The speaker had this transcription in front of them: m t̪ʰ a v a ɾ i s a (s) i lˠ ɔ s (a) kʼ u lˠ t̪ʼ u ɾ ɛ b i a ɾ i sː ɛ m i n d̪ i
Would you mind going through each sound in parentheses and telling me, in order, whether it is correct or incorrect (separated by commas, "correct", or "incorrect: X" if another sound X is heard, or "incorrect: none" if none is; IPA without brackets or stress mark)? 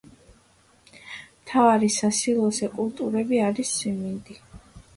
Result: correct, incorrect: ɛ